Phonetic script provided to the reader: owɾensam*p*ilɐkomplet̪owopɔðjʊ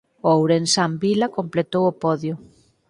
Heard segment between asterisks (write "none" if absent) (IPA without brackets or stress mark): b